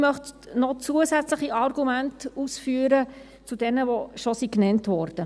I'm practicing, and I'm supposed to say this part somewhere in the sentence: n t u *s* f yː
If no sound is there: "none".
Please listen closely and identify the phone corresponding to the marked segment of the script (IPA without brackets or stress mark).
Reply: s